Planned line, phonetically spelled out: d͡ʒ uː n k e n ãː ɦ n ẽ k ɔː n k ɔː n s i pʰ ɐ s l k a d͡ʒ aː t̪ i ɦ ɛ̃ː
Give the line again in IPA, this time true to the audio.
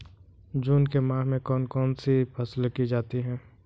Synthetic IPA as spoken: d͡ʒ uː n k e m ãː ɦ m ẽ k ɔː n k ɔː n s i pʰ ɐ s l k i d͡ʒ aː t̪ i ɦ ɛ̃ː

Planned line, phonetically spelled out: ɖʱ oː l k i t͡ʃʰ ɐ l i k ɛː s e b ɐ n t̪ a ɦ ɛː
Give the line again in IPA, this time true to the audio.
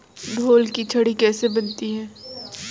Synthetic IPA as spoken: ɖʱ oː l k i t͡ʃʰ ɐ ɽ i k ɛː s e b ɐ n t̪ i ɦ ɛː

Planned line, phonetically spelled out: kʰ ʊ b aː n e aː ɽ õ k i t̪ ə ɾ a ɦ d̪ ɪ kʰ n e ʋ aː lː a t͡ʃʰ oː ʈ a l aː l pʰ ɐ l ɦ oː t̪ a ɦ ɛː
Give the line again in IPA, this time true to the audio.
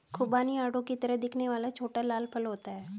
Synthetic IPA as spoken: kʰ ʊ b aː n i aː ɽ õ k i t̪ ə ɾ ə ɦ d̪ ɪ kʰ n e ʋ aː l a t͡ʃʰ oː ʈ a l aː l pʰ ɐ l ɦ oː t̪ a ɦ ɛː

